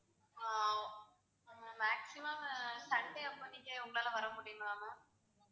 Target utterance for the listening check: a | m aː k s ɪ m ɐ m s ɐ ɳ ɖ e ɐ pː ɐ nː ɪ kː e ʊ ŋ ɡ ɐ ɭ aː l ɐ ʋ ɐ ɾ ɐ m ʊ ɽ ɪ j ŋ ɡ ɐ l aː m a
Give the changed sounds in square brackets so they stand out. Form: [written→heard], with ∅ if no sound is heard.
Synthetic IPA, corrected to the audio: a | m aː k s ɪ m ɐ m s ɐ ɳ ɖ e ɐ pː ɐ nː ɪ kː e ʊ ŋ ɡ ɐ ɭ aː l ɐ ʋ ɐ ɾ ɐ m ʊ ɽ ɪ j ŋ ɡ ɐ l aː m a